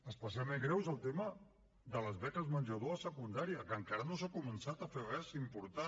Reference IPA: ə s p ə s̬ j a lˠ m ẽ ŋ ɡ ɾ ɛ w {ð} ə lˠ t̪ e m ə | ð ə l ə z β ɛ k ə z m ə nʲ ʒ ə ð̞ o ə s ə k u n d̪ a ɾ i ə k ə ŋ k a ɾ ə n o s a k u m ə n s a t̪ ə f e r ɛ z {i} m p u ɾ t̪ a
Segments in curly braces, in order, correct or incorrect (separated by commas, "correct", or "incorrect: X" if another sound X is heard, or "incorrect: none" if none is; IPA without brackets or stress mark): incorrect: z, correct